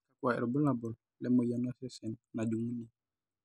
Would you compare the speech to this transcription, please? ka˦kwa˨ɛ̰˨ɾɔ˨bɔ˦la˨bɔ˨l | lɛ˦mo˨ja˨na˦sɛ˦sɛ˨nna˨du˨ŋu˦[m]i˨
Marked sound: incorrect: n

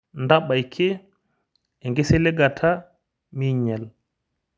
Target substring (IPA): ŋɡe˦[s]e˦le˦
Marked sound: correct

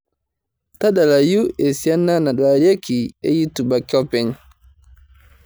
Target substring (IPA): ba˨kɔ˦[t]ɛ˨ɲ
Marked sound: incorrect: p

